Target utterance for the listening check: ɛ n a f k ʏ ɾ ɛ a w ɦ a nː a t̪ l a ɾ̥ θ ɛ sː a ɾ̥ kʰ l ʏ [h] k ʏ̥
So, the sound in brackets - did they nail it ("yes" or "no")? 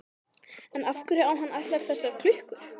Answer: yes